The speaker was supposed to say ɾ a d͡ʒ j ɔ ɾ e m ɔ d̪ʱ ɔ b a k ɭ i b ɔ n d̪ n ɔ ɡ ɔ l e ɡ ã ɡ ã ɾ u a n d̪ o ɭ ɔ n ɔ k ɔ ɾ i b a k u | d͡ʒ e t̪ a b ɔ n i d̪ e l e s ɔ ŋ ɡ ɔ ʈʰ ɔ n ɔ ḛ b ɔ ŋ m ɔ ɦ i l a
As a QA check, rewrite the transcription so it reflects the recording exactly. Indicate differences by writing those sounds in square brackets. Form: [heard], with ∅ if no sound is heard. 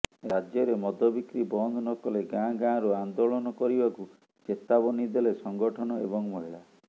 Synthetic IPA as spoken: ɾ a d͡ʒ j ɔ ɾ e m ɔ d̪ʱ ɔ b [i] k [ɾ] i b ɔ n d̪ n ɔ [k] ɔ l e ɡ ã ɡ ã ɾ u a n d̪ o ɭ ɔ n ɔ k ɔ ɾ i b a k u | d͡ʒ e t̪ a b ɔ n i d̪ e l e s ɔ ŋ ɡ ɔ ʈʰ ɔ n ɔ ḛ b ɔ ŋ m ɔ ɦ i [ɭ] a